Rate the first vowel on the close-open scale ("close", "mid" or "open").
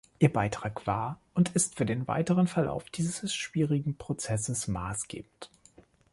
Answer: close